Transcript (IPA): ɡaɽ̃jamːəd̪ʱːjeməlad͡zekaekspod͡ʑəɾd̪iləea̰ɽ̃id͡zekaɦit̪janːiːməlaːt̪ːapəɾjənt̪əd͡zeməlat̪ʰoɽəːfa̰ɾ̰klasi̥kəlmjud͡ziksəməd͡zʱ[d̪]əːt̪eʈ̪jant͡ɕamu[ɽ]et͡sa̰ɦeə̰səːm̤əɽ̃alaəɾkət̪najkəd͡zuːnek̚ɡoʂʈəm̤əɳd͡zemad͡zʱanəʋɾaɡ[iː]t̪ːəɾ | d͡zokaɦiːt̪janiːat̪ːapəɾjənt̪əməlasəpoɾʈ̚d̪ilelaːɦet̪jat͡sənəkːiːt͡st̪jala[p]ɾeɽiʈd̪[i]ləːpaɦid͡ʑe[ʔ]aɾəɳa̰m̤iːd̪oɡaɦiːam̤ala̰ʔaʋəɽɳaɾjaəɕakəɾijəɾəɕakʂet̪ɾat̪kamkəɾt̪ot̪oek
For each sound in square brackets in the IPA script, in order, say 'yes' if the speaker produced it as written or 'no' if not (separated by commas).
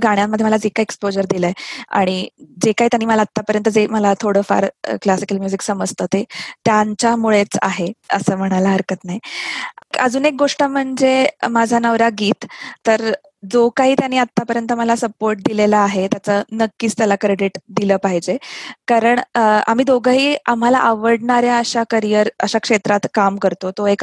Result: no, no, yes, no, yes, no